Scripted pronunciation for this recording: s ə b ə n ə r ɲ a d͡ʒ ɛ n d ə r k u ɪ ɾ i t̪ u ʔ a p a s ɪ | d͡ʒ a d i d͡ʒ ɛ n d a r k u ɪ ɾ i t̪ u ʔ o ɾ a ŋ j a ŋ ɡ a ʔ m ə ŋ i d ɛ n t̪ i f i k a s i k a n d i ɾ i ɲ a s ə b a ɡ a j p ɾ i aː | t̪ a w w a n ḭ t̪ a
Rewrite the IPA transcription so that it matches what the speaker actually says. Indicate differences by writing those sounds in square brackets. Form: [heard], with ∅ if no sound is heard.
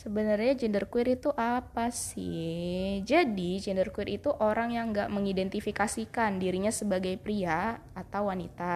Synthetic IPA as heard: s ə b ə n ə r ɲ a d͡ʒ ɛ n d ə r k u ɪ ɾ i t̪ u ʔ a p a s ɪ | d͡ʒ a d i d͡ʒ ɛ n d [ə] r k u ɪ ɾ i t̪ u ʔ o ɾ a ŋ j a ŋ ɡ a ʔ m ə ŋ i d ɛ n t̪ i f i k a s i k a n d i ɾ i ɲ a s ə b a ɡ a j p ɾ i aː | t̪ a w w a n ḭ t̪ a